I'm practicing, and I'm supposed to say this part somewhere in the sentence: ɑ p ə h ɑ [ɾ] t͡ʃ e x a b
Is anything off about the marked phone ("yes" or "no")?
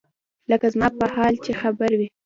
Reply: yes